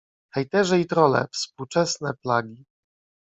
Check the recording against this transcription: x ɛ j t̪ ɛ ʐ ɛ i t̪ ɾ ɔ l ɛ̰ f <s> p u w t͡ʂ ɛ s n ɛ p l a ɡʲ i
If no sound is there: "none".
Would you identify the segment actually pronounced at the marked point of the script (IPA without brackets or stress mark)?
s